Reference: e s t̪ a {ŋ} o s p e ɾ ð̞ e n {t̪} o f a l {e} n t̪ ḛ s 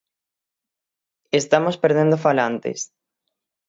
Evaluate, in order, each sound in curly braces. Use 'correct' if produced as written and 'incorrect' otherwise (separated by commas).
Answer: incorrect, incorrect, incorrect